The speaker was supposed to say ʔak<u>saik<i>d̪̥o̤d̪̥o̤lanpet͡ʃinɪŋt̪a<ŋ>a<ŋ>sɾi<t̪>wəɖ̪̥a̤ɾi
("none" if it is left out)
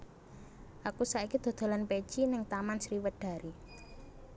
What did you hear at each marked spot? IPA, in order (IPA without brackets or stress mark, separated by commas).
u, i, m, n, none